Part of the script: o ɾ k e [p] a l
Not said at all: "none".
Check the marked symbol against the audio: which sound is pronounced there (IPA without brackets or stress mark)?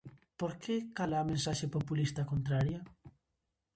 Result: k